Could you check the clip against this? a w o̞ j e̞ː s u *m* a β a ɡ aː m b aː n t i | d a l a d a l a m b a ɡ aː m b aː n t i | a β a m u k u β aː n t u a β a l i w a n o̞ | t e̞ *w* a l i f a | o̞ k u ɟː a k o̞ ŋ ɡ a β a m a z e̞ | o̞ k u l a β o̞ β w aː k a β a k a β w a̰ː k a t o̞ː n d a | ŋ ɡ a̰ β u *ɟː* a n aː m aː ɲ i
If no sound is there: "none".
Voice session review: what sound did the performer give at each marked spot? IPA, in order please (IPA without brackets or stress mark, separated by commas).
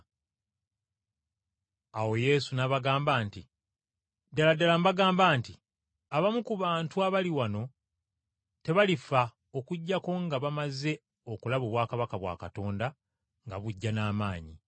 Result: n, β, ɟː